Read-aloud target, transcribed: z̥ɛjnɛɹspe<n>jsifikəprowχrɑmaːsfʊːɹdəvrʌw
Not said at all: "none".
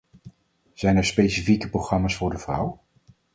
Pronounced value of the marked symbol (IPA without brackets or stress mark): none